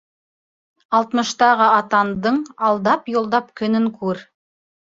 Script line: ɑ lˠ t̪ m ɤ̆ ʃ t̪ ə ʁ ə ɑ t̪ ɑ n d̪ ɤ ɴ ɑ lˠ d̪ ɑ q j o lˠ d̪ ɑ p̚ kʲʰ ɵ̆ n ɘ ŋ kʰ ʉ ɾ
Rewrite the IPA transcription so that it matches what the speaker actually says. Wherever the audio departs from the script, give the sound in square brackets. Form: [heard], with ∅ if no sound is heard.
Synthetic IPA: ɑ lˠ t̪ m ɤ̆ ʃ t̪ [ɑ] ʁ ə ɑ t̪ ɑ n d̪ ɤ ɴ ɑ lˠ d̪ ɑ [p] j o lˠ d̪ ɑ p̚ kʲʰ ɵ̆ n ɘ ŋ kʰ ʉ ɾ